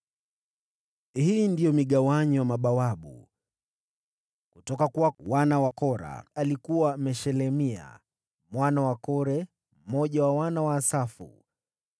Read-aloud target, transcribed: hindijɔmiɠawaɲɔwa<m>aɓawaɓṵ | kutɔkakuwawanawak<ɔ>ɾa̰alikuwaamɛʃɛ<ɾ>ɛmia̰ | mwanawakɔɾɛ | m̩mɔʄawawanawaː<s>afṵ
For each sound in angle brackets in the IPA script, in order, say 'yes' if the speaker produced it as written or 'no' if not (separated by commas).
yes, yes, no, yes